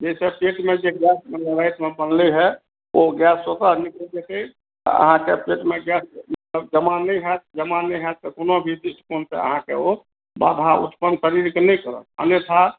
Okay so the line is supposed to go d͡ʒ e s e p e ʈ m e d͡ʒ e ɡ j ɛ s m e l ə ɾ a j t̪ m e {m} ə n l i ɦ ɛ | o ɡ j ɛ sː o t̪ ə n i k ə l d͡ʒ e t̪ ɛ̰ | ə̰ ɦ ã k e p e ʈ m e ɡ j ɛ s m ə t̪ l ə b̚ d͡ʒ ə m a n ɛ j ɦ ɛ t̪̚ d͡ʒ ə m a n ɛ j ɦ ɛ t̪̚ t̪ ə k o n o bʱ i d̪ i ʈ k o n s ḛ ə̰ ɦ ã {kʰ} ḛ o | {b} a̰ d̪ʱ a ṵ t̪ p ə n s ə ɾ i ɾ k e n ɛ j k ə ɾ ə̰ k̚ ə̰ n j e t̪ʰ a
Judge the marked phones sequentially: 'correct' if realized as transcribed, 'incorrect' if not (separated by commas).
incorrect, incorrect, correct